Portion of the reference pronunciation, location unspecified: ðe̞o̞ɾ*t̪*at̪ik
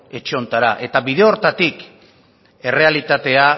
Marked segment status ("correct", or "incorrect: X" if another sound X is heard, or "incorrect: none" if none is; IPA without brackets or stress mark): correct